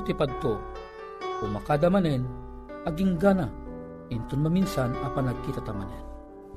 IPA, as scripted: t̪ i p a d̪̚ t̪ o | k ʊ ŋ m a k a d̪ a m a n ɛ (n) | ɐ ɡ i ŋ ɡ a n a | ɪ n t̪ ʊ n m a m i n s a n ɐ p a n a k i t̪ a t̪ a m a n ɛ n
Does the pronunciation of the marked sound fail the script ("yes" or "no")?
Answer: no